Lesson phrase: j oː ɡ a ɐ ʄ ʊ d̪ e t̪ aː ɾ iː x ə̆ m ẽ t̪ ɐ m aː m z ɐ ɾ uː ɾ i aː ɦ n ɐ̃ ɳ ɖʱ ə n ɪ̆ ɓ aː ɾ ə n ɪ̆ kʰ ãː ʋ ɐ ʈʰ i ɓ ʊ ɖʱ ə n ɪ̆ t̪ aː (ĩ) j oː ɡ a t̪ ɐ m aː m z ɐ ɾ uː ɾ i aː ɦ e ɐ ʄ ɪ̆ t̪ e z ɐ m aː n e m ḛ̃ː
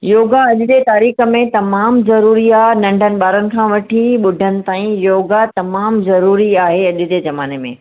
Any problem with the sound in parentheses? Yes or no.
no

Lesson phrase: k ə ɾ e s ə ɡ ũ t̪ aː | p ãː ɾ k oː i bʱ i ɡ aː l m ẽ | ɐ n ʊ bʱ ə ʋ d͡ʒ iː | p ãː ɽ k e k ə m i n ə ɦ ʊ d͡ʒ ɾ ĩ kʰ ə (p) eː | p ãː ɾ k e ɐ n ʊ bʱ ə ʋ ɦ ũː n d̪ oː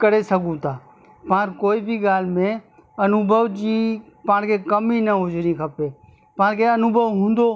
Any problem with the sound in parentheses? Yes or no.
no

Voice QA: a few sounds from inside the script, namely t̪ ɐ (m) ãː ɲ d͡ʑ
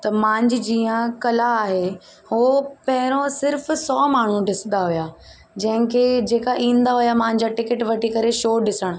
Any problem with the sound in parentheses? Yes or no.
no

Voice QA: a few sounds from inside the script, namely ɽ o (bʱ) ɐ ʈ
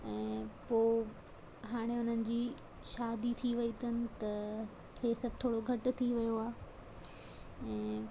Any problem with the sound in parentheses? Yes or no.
yes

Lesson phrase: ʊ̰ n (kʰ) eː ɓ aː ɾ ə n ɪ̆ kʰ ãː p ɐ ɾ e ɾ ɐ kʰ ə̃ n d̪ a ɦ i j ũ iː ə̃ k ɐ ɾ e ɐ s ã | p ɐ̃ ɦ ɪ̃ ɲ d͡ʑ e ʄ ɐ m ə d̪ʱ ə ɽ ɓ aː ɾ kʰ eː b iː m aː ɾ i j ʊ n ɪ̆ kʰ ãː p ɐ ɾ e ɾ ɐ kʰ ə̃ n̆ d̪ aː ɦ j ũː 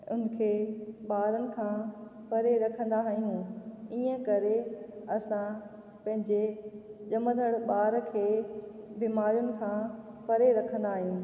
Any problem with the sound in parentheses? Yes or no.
no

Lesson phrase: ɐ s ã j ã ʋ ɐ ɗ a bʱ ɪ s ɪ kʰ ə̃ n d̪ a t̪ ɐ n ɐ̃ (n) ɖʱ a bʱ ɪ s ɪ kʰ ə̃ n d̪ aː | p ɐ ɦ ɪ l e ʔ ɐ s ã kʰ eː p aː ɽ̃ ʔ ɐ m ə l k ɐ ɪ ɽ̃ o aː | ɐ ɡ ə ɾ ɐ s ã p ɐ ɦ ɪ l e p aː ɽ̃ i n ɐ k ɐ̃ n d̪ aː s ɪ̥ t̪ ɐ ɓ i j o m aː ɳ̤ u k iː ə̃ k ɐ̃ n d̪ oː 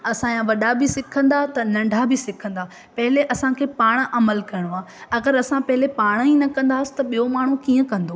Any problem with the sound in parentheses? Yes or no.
yes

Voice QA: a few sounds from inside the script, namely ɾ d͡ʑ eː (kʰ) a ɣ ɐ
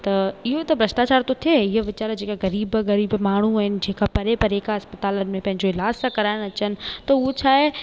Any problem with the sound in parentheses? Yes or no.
yes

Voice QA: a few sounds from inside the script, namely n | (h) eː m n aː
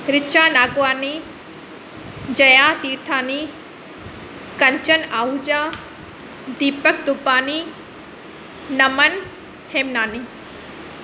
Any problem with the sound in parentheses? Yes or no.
no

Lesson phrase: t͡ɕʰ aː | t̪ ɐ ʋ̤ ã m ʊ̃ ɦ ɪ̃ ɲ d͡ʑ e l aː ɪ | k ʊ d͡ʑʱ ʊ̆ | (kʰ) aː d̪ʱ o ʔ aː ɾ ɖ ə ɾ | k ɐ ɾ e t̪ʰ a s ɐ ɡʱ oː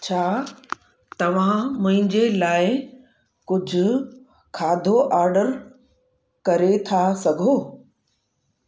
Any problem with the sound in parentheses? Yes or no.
no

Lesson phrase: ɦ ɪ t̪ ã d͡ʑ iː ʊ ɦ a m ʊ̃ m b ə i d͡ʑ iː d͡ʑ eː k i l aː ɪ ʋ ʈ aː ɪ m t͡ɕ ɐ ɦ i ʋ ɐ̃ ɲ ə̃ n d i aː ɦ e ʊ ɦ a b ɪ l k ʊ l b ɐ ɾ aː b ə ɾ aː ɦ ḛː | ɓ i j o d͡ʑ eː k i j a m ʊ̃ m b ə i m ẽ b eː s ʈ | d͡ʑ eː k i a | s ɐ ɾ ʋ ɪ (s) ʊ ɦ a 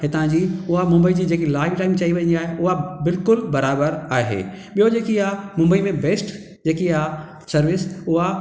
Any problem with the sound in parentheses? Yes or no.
no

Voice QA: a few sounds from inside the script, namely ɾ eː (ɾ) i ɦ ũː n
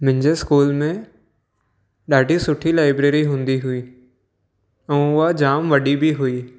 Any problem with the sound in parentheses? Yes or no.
no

